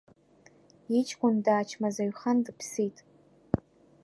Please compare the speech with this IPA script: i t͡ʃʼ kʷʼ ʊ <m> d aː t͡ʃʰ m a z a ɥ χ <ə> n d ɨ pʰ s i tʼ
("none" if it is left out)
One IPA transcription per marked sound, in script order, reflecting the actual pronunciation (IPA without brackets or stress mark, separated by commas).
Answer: n, a